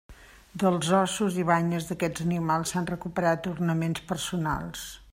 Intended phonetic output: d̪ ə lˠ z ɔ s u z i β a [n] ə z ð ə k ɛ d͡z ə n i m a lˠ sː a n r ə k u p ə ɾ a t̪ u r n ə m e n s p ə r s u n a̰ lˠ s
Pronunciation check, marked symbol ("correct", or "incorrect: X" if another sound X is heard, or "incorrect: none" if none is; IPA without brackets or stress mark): incorrect: ɲ